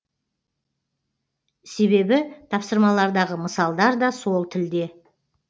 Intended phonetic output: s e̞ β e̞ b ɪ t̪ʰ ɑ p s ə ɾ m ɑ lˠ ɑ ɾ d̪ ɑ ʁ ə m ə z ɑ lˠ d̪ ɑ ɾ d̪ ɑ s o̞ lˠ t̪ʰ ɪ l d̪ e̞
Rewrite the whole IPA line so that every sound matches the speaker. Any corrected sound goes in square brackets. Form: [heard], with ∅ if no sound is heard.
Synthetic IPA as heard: s e̞ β e̞ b ɪ t̪ʰ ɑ p s ə ɾ m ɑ lˠ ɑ ɾ d̪ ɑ ʁ ə m ə [s] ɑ lˠ d̪ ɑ ɾ d̪ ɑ s o̞ lˠ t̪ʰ ɪ l d̪ e̞